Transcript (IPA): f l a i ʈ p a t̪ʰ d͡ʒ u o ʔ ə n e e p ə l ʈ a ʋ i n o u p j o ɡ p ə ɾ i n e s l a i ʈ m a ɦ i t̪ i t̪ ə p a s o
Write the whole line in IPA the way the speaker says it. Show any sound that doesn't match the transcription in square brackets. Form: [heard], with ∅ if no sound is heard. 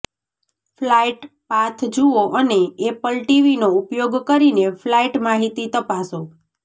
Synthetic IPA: f l a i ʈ p a t̪ʰ d͡ʒ u o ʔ ə n e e p ə l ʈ [i] ʋ i n o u p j o ɡ [k] ə ɾ i n e [f] l a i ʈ m a ɦ i t̪ i t̪ ə p a s o